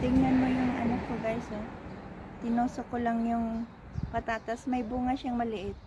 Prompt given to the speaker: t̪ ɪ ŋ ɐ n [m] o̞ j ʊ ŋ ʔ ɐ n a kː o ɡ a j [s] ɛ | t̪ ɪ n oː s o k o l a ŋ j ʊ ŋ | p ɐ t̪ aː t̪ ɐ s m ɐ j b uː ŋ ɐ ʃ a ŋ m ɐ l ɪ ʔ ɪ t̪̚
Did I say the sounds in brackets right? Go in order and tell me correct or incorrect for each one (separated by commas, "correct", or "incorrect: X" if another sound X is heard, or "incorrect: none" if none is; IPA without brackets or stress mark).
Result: correct, correct